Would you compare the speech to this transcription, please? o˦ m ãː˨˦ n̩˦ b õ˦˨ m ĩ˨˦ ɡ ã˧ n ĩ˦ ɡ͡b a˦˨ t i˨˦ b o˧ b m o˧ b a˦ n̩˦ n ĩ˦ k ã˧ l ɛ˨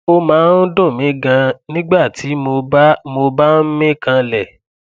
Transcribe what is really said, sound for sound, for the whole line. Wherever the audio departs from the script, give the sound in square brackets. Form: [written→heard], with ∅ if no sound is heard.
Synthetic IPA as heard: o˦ m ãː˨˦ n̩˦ [b→d] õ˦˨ m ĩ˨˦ ɡ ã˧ n ĩ˦ ɡ͡b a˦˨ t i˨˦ [b→m] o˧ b m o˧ b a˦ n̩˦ [n→m] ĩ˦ k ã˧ l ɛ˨

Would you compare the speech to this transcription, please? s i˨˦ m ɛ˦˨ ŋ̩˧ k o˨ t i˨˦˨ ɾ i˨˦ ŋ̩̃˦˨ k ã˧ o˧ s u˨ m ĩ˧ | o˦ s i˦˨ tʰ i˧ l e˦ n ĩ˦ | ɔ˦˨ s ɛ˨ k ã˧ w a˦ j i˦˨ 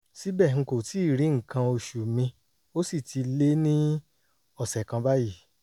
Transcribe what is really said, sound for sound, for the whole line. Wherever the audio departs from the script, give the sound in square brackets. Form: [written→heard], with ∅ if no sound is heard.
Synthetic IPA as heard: s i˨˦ [m→b] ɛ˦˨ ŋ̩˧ k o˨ t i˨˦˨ ɾ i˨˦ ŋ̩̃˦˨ k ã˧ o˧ [s→ʃ] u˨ m ĩ˧ | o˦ s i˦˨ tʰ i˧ l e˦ n ĩ˦ | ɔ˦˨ s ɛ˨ k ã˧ [w→b] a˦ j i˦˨

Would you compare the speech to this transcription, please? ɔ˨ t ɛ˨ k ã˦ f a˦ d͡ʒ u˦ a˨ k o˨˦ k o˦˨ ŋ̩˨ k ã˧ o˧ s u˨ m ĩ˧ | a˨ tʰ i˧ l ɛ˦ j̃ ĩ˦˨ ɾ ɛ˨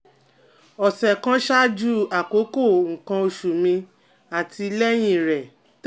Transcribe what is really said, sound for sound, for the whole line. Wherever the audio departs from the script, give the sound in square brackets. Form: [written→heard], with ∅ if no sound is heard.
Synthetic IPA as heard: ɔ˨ [t→s] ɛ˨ k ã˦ [f→ʃ] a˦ d͡ʒ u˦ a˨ k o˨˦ k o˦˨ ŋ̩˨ k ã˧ o˧ [s→ʃ] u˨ m ĩ˧ | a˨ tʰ i˧ l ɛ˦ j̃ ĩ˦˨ ɾ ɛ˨

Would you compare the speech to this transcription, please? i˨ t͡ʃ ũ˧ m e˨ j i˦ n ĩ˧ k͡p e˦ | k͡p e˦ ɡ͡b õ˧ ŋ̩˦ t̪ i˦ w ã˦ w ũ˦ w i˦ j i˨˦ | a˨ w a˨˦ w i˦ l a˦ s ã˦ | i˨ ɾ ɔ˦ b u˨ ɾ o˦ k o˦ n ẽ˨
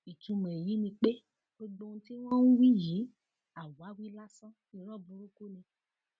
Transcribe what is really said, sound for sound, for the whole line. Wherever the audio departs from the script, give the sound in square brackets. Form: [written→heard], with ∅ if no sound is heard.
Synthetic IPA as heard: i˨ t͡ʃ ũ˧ m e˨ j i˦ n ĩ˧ k͡p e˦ | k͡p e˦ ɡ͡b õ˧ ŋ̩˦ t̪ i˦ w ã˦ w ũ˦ w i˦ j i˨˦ | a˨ w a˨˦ w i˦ l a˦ s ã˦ | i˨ ɾ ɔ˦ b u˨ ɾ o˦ k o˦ n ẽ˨

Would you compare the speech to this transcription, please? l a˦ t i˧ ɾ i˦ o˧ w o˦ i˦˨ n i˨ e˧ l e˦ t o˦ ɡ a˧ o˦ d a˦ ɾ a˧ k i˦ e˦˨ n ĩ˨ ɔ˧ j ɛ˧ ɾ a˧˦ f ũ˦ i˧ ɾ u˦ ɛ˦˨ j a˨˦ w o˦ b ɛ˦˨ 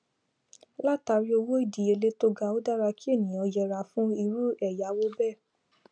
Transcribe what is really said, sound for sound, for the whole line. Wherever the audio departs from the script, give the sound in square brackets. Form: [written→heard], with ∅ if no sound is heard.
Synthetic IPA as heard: l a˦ t [i˧→a˧] ɾ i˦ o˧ w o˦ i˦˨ [n→d] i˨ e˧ l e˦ t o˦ ɡ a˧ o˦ d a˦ ɾ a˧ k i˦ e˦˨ n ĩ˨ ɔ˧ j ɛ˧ ɾ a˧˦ f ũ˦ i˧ ɾ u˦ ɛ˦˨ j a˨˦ w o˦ b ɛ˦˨

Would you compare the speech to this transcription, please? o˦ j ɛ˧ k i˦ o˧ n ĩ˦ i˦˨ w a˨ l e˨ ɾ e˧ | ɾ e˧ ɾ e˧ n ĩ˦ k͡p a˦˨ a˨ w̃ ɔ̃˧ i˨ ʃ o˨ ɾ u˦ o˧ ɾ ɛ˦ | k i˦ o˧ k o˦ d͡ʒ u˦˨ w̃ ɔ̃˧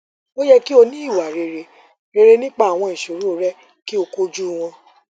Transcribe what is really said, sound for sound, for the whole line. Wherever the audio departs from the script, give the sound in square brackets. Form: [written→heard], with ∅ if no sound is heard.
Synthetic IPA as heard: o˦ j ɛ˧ k i˦ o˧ n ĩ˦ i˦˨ w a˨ [l→ɾ] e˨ ɾ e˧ | ɾ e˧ ɾ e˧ n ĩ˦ k͡p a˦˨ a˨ w̃ ɔ̃˧ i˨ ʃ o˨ ɾ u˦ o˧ ɾ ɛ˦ | k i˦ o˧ k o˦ d͡ʒ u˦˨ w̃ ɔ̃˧

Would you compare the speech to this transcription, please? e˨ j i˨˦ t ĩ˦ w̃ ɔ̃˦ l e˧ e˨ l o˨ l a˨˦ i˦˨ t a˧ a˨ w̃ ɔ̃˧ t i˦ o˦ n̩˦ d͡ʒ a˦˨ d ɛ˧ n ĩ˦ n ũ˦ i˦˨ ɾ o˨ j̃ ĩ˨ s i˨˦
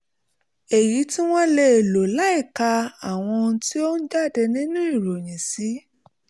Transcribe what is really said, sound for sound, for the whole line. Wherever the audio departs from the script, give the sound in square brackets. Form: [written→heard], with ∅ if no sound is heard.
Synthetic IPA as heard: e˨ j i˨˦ t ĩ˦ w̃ ɔ̃˦ l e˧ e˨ l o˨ l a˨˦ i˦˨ [t→k] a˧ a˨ w̃ ɔ̃˧ t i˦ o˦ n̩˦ d͡ʒ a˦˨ d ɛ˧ n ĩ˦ n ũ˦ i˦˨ ɾ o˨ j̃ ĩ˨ s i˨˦

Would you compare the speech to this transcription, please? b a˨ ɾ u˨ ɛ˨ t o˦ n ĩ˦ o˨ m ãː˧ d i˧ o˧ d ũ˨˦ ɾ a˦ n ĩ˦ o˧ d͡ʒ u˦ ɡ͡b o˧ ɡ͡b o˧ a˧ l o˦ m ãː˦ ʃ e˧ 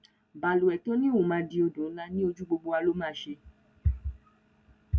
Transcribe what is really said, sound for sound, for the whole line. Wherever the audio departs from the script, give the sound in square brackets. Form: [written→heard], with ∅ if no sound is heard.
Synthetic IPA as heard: b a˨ [ɾ→l] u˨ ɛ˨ t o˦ n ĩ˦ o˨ m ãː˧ d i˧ o˧ d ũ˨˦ [ɾ→l] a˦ n ĩ˦ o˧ d͡ʒ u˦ ɡ͡b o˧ ɡ͡b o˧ a˧ l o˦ m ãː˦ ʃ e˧

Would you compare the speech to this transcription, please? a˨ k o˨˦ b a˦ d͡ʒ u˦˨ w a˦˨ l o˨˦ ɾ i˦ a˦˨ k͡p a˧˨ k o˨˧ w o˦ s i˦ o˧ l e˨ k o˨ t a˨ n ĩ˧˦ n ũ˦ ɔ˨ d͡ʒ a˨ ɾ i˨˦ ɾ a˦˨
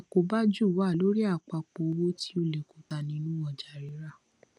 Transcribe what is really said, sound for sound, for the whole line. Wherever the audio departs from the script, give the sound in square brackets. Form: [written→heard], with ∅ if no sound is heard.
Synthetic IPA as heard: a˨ k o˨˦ b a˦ d͡ʒ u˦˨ w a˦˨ l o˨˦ ɾ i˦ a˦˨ k͡p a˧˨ [k→k͡p] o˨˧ w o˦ [s→t] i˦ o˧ l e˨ k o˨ t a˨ n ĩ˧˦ n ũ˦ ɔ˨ d͡ʒ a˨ ɾ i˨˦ ɾ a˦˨

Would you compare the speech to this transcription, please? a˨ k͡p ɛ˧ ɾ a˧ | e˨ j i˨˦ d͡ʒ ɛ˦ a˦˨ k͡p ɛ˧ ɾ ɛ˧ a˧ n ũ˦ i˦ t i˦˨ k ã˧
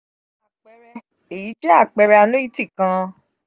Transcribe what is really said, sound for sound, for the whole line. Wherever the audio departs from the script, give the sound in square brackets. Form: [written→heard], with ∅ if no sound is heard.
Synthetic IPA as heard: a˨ k͡p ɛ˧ ɾ [a˧→ɛ˧] | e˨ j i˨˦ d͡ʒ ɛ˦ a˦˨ k͡p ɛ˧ ɾ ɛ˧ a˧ n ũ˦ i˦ t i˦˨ k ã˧

